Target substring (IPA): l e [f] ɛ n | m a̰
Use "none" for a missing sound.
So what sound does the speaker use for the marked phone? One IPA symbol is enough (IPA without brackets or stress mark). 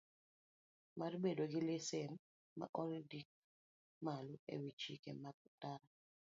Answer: s